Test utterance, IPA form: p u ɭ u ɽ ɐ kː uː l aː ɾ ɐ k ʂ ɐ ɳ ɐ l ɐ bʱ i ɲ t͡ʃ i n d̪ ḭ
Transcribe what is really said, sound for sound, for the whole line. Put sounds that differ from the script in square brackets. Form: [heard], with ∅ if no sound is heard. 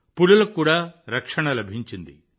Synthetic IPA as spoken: p u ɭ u [l] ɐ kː uː [ɽ] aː ɾ ɐ k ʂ ɐ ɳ ɐ l ɐ bʱ i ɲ t͡ʃ i n d̪ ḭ